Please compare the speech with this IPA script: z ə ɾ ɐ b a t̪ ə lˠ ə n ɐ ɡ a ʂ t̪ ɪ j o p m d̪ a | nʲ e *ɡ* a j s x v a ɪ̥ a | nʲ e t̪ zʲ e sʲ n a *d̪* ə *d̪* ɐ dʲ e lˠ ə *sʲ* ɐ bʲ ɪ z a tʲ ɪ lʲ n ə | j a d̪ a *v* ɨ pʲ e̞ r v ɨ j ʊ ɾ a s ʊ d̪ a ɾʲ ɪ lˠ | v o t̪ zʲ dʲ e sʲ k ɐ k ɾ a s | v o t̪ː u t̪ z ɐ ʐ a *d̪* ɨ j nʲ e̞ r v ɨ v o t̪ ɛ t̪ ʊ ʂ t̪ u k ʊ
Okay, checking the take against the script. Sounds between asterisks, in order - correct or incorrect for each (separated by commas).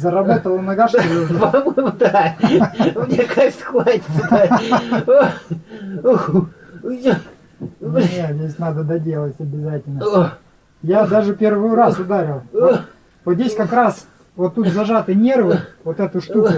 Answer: incorrect, correct, correct, incorrect, incorrect, incorrect